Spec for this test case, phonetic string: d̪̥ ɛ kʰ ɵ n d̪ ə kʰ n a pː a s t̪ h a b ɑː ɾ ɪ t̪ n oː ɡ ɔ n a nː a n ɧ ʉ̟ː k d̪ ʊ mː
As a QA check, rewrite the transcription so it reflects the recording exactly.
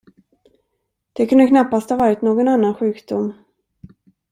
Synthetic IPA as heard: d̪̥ ɛ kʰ ɵ n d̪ ə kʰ n a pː a s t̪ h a v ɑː ɾ ɪ t̪ n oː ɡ ɔ n a nː a n ɧ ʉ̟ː k d̪ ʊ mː